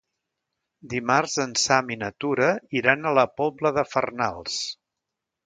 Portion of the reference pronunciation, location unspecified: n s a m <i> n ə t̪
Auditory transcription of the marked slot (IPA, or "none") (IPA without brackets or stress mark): i